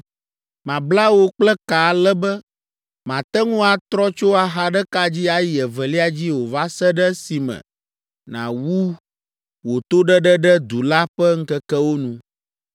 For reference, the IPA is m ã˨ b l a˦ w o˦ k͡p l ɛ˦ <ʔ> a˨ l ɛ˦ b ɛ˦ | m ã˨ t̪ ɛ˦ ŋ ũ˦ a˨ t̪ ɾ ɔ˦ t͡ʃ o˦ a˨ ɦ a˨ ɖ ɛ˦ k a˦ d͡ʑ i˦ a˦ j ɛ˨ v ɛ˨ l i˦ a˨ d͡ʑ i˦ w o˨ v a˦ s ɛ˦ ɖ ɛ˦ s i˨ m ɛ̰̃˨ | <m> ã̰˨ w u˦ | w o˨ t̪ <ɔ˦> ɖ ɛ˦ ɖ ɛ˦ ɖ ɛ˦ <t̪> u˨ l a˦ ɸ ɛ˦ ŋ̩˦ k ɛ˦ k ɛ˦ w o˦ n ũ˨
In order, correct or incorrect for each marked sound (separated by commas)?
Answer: incorrect, incorrect, incorrect, incorrect